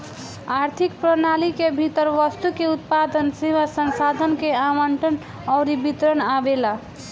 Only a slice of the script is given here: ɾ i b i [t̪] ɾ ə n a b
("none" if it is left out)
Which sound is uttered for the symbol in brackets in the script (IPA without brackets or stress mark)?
t̪